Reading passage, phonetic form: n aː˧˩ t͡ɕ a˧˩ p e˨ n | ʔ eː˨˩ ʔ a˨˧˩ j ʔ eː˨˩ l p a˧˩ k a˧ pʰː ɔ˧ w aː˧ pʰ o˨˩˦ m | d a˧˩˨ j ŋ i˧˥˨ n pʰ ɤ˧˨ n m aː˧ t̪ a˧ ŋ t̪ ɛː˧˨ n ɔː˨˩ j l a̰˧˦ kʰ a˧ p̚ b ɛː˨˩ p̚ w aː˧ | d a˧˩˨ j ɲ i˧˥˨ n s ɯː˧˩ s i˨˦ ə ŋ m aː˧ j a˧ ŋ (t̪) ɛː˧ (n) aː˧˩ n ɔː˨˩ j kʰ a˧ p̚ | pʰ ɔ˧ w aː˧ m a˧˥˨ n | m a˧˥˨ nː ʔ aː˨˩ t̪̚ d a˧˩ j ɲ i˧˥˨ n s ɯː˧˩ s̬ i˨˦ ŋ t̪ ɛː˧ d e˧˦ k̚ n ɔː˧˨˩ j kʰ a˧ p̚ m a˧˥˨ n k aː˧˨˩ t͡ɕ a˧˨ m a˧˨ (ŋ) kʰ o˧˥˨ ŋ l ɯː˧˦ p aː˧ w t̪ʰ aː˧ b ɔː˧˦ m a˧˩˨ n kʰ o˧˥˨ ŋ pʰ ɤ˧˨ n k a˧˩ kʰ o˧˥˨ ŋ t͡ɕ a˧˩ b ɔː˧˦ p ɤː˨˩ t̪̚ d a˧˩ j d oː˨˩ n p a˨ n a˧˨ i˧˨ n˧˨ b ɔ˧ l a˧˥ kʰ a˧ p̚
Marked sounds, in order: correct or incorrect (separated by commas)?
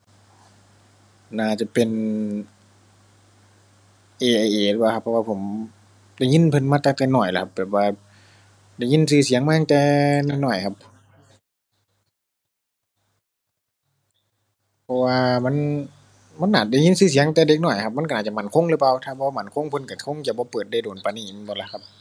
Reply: correct, correct, incorrect